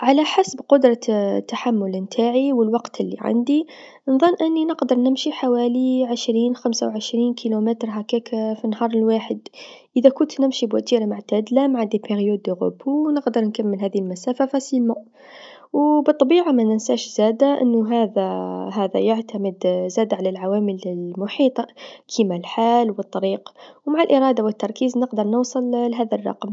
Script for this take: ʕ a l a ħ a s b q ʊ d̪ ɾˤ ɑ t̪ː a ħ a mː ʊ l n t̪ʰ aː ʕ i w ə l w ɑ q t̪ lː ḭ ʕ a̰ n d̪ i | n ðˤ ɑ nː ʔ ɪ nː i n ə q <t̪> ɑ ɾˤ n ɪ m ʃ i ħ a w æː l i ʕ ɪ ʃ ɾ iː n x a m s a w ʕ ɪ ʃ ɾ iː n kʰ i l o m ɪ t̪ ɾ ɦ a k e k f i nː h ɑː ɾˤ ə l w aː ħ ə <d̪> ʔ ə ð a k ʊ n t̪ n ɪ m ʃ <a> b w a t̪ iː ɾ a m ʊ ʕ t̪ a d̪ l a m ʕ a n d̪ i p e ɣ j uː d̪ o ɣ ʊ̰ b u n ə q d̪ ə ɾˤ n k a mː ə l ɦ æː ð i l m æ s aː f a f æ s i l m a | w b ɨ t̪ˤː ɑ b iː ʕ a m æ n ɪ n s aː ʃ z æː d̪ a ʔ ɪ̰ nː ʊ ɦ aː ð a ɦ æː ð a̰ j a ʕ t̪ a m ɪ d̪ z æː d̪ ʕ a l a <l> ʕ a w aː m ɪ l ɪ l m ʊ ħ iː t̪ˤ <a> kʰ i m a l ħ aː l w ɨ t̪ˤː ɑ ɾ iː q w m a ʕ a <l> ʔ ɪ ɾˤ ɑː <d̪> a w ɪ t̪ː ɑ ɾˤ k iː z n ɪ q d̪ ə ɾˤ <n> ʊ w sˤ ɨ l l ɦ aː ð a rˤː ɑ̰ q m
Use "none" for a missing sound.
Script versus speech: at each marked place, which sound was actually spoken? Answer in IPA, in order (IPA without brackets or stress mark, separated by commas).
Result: d̪, d̪, i, l, ɑ, l, d̪, n